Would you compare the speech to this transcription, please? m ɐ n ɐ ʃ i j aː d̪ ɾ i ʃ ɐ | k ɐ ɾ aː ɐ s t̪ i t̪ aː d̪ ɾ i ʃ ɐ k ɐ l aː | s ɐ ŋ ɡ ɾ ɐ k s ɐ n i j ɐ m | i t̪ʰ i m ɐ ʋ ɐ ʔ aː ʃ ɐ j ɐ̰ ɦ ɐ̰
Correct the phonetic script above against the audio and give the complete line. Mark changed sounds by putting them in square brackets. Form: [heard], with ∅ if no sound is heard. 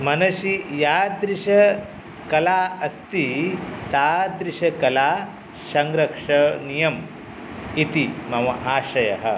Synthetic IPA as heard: m ɐ n ɐ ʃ i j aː d̪ ɾ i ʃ ɐ | k ɐ [l] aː ɐ s t̪ i t̪ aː d̪ ɾ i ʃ ɐ k ɐ l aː | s ɐ ŋ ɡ ɾ ɐ k [ʂ] ɐ n i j ɐ m | i [t̪] i m ɐ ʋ ɐ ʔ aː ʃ ɐ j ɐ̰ ɦ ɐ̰